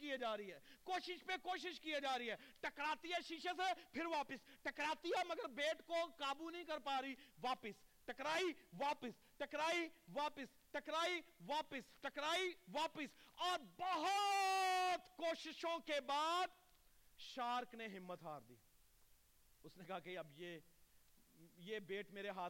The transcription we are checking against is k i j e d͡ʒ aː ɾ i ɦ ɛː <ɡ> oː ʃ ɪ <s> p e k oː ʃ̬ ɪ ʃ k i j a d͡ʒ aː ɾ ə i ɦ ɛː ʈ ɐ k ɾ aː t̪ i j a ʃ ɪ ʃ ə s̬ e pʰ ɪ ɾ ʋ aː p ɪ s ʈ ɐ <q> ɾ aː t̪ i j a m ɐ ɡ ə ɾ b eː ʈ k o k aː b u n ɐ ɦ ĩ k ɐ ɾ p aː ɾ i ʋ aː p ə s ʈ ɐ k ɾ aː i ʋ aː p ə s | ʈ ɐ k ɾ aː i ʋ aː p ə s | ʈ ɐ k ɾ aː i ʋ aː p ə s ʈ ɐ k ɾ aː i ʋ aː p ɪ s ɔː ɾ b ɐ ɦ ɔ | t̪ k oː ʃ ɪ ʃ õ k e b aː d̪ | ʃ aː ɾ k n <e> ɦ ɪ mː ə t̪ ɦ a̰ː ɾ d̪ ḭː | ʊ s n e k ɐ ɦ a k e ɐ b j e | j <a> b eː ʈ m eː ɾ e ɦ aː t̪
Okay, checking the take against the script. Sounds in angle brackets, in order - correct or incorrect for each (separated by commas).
incorrect, incorrect, incorrect, correct, incorrect